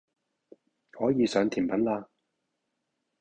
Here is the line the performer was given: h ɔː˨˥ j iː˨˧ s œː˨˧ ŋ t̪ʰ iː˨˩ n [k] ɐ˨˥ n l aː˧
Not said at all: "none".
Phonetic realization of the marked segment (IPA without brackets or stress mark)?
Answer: p